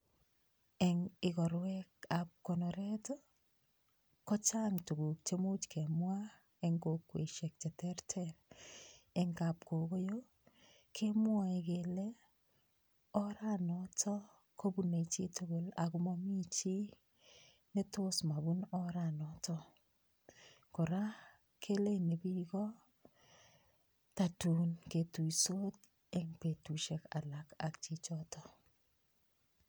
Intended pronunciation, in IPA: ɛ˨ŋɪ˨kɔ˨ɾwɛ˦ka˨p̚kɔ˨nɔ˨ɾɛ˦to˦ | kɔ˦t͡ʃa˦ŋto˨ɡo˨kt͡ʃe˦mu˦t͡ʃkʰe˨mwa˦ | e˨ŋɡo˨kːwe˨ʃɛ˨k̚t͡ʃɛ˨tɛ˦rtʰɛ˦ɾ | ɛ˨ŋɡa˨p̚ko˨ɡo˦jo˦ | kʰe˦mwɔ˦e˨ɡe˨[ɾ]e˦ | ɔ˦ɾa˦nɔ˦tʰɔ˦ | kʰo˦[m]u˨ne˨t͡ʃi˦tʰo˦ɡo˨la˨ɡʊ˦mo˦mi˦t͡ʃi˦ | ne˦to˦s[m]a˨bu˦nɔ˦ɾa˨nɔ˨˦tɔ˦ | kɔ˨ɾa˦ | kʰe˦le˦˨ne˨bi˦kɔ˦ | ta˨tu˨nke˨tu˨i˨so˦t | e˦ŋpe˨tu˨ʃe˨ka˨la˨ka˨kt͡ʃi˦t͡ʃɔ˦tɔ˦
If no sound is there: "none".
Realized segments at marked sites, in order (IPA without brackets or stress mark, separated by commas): l, b, m